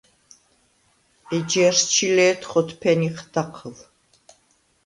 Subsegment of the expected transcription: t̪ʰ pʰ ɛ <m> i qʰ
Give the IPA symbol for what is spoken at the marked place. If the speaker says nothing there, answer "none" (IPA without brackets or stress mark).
n